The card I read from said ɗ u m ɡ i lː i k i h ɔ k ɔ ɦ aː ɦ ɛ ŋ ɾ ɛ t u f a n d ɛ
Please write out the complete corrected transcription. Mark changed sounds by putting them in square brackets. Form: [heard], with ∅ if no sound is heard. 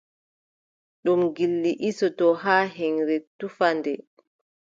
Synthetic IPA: ɗ u m ɡ i lː i [ʔ] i [s] ɔ [t] ɔ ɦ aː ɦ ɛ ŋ ɾ ɛ t u f a n d ɛ